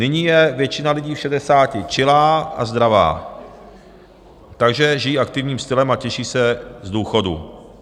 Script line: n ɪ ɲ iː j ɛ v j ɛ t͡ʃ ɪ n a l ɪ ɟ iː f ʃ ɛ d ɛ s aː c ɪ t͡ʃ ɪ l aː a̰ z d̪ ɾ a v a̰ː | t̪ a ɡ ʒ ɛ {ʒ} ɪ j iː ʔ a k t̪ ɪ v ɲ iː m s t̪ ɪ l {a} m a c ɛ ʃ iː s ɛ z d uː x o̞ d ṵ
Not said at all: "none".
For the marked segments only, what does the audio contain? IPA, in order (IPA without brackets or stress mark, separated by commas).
ʒ, ɛ